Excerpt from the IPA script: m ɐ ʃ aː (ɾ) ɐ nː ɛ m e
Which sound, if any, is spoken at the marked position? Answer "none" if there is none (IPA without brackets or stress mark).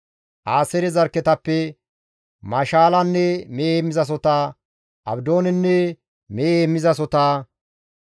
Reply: l